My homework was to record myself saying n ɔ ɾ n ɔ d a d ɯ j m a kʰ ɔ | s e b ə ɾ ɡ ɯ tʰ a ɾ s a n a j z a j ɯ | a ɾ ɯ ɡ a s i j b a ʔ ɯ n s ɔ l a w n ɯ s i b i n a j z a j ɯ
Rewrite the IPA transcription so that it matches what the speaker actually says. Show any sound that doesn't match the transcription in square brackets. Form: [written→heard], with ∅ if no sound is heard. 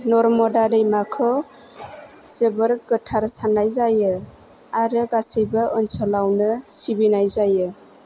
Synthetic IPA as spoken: n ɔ ɾ [n→m] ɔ d a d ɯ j m a kʰ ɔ | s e b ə ɾ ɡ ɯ tʰ a ɾ s a n a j z a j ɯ | a ɾ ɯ ɡ a s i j b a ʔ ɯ n s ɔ l a w n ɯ s i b i n a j z a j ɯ

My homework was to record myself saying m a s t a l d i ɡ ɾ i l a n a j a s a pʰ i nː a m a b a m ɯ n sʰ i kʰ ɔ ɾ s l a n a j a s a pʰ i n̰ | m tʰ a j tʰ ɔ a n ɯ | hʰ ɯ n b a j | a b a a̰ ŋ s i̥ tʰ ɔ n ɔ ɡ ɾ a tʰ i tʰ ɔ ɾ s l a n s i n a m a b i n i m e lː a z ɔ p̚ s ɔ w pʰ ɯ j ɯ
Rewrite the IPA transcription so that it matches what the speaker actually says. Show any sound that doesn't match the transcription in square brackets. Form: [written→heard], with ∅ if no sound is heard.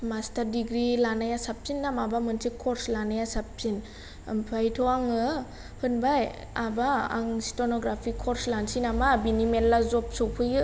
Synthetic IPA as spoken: m a s t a [l→ɾ] d i ɡ ɾ i l a n a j a s a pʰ i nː a m a b a m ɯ n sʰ i kʰ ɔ ɾ s l a n a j a s a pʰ i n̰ | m [tʰ→pʰ] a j tʰ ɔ a [n→ŋ] ɯ | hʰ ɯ n b a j | a b a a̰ ŋ s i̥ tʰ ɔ n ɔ ɡ ɾ a [tʰ→pʰ] i [tʰ→kʰ] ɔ ɾ s l a n s i n a m a b i n i m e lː a z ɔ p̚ s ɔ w pʰ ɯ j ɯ

